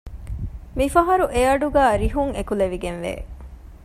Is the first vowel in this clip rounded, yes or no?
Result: no